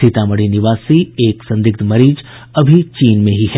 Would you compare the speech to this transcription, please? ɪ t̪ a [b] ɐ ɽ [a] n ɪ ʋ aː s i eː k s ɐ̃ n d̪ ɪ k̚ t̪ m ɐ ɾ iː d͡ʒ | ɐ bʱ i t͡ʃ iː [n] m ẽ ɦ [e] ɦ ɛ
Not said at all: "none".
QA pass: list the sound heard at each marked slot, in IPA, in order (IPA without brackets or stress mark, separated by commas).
m, i, n, i